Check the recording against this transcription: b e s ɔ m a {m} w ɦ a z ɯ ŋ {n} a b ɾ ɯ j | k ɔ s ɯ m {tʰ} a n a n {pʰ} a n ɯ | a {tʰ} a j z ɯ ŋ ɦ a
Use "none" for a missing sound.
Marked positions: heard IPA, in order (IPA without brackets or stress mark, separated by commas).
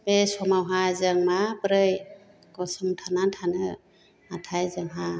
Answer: none, m, tʰ, tʰ, tʰ